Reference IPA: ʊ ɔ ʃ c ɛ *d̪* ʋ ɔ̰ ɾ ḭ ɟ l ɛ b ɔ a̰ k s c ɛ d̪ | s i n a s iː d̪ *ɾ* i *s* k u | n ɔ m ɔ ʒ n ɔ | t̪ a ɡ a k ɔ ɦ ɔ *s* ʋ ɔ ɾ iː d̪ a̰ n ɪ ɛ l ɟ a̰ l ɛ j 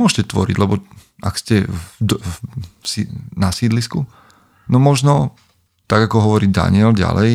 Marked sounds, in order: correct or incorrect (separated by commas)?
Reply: incorrect, incorrect, correct, incorrect